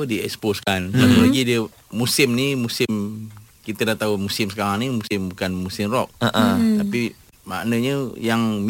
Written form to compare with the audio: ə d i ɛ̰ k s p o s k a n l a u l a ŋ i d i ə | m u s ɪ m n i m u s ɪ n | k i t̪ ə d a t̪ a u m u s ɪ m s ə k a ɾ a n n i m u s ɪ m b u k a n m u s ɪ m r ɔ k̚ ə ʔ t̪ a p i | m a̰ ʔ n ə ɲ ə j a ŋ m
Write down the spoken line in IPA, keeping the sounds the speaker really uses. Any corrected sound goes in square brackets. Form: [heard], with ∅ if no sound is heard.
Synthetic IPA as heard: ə d i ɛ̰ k s p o s k a n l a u l a [ɡ] i d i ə | m u s ɪ m n i m u s ɪ [m] | k i t̪ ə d a t̪ a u m u s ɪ m s ə k a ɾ a [ŋ] n i m u s ɪ m b u k a n m u s ɪ m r ɔ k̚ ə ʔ t̪ a p i | m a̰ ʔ n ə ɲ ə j a ŋ m